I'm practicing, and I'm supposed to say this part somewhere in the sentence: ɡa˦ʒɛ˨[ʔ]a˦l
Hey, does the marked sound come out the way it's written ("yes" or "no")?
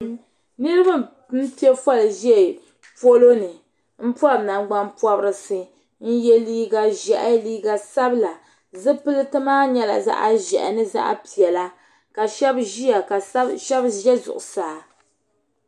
yes